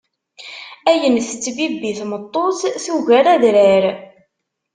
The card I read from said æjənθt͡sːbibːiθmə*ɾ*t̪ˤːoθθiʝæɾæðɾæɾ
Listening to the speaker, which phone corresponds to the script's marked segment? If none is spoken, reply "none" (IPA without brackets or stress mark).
none